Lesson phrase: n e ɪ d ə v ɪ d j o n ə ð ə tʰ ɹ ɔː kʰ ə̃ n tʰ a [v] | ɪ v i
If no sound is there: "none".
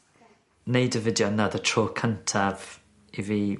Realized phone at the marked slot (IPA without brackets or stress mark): v